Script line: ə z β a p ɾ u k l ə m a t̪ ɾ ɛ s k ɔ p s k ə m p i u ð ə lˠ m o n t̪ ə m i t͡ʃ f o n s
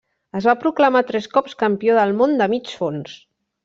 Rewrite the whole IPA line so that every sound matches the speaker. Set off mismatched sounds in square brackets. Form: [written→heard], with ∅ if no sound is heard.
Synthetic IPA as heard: ə z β a p ɾ u k l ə m a t̪ ɾ ɛ s k ɔ p s k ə m p i [u→o] ð ə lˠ m o n [t̪→d̪] ə m i t͡ʃ f o n s